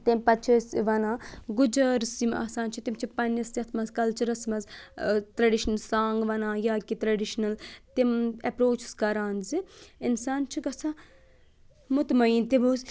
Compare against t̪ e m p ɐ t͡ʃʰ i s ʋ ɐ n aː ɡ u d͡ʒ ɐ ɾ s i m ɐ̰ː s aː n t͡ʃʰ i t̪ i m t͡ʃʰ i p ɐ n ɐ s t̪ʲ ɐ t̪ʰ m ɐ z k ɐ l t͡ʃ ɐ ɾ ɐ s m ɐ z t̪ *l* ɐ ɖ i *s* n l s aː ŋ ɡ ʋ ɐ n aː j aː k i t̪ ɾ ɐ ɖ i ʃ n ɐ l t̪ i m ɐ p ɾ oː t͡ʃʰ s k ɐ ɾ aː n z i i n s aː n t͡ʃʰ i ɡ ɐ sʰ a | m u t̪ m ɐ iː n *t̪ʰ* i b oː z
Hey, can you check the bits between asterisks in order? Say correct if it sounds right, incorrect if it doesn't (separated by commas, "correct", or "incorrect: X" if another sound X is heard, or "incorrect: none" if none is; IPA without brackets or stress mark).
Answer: incorrect: ɾ, incorrect: ʃ, incorrect: t̪